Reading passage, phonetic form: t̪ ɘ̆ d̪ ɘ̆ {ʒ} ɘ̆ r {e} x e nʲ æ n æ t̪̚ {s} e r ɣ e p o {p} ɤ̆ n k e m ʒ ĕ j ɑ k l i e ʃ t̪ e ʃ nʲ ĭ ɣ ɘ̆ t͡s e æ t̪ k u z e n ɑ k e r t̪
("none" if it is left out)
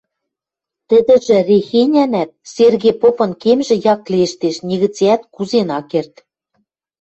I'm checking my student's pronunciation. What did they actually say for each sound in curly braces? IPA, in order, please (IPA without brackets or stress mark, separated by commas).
ʒ, e, s, p